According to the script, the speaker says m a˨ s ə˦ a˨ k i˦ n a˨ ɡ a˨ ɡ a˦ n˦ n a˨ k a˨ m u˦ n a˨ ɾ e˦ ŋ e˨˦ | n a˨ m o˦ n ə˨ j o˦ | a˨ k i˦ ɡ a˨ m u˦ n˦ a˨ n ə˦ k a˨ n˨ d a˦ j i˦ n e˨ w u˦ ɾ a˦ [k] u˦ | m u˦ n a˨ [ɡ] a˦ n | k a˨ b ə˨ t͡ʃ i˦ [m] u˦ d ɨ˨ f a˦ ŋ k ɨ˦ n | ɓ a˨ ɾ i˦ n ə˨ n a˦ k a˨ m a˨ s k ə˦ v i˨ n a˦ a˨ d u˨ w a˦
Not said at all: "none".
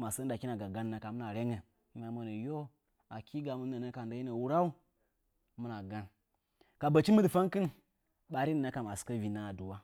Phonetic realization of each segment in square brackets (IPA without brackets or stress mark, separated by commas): none, ɡ, m